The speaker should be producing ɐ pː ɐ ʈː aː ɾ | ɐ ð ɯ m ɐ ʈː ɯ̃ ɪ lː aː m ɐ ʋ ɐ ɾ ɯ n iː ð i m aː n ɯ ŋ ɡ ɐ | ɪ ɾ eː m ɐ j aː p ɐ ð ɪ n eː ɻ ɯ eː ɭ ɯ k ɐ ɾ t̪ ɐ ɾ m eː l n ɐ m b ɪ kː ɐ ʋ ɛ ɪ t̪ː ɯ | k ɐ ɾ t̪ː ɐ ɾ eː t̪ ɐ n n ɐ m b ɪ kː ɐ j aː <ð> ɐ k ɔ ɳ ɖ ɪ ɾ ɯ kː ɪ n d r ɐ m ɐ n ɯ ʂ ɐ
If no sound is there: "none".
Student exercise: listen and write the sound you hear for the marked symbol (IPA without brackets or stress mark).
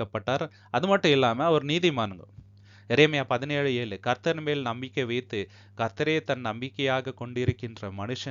ɣ